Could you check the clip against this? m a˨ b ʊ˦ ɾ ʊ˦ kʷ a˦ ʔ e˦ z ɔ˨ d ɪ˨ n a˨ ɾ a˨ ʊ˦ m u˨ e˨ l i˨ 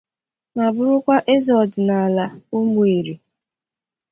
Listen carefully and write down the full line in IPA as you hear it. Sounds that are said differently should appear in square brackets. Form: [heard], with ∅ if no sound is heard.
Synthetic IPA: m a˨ b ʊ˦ ɾ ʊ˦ kʷ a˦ ʔ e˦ z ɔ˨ d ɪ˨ n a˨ [l] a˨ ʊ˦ m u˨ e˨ [ɾ] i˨